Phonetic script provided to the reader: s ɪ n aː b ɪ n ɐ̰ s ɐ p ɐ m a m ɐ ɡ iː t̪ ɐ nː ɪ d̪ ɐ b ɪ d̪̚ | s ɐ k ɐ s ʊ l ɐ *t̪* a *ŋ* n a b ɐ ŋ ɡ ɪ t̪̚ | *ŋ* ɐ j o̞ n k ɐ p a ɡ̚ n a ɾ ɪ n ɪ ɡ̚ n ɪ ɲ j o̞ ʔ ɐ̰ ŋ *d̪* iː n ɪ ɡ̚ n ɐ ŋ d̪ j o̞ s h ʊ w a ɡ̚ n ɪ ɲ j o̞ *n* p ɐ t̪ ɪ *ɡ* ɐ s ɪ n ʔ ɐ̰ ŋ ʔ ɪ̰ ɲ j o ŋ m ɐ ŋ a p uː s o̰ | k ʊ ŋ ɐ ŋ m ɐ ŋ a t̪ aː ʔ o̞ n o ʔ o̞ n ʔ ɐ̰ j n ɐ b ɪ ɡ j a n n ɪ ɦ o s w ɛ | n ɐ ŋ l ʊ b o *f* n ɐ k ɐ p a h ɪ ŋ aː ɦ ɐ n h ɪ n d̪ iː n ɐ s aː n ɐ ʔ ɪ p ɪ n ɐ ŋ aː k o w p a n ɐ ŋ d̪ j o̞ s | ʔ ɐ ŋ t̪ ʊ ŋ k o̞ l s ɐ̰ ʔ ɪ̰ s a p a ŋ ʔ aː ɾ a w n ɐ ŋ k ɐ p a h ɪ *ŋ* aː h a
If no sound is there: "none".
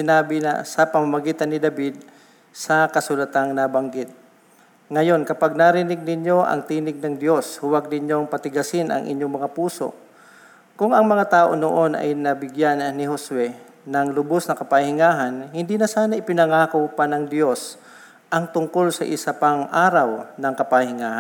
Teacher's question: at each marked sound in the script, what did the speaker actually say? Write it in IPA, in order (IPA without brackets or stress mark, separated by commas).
t̪, ŋ, ŋ, t̪, ŋ, ɡ, s, ŋ